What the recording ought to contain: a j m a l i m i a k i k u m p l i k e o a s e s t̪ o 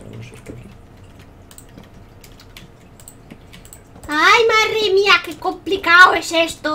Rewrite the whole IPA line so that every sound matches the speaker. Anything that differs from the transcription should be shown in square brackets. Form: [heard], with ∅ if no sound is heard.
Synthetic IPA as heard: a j m a [r] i m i a k [e] k [o] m p l i k [a] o [e] s e s t̪ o